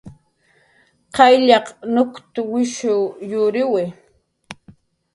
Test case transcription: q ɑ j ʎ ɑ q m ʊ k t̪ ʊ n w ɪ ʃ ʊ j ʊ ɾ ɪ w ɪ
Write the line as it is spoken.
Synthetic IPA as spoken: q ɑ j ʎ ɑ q n ʊ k t̪ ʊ w ɪ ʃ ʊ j ʊ ɾ ɪ w ɪ